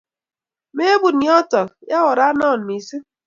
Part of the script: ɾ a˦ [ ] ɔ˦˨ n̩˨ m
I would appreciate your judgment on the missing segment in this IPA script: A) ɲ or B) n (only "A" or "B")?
B